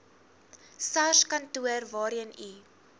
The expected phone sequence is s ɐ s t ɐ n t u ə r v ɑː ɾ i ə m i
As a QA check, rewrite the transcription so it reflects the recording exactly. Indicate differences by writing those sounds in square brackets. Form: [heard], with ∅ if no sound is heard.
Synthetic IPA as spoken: s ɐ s [k] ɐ n t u ə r v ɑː ɾ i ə [n] i